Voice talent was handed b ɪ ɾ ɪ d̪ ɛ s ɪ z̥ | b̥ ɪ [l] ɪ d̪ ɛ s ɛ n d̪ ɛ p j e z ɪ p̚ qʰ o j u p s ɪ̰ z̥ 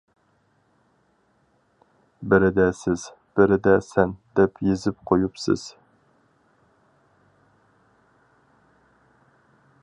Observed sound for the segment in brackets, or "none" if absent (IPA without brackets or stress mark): ɾ